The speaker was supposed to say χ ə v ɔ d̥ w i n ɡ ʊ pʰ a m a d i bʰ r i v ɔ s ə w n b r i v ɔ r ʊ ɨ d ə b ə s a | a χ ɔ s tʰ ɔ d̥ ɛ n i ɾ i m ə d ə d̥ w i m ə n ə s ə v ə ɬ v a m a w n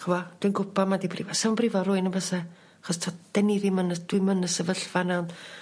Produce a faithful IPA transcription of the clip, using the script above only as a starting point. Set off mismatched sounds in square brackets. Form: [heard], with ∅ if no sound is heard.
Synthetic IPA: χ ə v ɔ d̥ w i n ɡ ʊ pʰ a m a d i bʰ r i v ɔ s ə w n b r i v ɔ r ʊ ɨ [n] ə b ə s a | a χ ɔ s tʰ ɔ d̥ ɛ n i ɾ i m ə [n] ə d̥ w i m ə n ə s ə v ə ɬ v a [n] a w n